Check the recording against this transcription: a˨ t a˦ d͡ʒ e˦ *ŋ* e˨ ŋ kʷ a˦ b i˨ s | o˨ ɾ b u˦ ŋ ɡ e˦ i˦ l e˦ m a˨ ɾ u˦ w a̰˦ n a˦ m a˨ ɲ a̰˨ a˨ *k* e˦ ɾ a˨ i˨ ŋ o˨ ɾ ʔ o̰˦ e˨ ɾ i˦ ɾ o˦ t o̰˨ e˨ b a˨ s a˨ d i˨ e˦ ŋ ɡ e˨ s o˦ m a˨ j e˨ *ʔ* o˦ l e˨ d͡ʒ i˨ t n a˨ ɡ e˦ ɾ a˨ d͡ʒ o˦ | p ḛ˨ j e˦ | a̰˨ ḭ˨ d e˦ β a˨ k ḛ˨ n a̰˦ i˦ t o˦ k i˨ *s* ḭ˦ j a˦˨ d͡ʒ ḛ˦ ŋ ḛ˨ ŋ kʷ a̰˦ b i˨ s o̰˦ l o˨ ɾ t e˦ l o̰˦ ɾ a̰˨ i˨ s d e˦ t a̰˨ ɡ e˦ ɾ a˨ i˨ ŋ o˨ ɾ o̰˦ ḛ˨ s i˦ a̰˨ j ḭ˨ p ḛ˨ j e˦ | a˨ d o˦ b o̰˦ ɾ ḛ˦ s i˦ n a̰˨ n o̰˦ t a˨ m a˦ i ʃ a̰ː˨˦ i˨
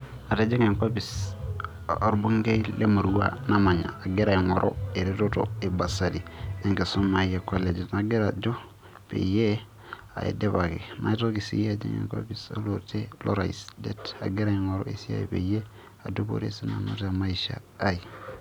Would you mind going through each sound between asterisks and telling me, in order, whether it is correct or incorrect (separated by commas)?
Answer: correct, incorrect, incorrect, correct